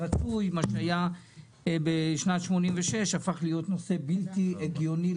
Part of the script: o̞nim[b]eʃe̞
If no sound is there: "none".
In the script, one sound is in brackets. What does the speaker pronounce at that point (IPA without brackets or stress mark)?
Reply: v